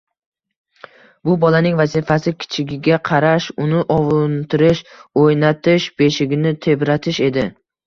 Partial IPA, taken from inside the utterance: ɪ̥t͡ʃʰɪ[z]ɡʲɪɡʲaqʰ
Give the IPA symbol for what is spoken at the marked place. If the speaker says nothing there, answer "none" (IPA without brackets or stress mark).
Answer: none